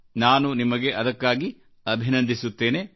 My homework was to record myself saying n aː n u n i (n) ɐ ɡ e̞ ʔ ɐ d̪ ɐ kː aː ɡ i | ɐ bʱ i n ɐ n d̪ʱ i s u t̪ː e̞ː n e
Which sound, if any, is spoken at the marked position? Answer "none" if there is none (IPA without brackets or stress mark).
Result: m